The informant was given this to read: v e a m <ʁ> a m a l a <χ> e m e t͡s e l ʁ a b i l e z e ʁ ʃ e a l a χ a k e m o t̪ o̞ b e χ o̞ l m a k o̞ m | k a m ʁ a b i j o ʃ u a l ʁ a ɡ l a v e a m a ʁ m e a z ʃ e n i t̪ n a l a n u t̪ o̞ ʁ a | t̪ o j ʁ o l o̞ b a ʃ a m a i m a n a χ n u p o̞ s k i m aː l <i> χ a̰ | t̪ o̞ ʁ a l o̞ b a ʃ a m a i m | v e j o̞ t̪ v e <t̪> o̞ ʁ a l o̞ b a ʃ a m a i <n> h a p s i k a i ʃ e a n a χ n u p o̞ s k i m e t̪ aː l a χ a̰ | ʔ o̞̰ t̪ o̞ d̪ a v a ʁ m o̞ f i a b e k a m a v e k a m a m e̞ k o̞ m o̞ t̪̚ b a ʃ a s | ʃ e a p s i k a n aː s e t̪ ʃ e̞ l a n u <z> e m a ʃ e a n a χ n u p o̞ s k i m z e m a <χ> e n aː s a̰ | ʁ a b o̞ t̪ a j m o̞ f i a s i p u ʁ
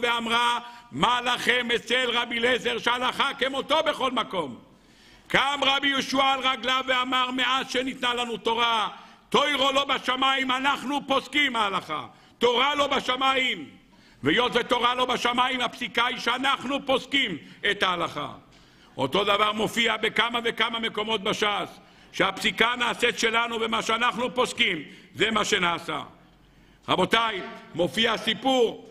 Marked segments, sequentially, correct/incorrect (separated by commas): correct, correct, incorrect, correct, incorrect, incorrect, incorrect